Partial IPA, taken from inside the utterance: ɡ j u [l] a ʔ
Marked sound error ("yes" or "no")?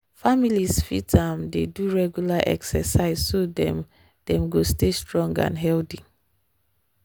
no